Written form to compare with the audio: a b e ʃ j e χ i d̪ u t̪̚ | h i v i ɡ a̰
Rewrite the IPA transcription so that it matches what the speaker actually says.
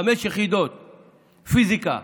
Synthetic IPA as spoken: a m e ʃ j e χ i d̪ o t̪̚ | f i z i k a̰